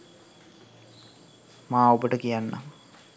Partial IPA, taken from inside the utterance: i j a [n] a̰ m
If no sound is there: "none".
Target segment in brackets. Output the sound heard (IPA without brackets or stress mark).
nː